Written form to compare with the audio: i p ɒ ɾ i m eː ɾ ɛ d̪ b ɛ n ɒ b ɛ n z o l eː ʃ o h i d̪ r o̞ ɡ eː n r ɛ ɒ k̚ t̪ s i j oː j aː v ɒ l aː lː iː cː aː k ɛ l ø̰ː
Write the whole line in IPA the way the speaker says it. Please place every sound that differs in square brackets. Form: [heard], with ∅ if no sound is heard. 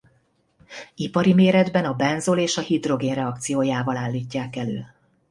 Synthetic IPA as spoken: i p ɒ ɾ i m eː ɾ ɛ d̪ b ɛ n ɒ b ɛ n z o l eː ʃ [ɒ] h i d̪ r o̞ ɡ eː n r ɛ ɒ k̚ t̪ s i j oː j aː v ɒ l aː lː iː cː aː k ɛ l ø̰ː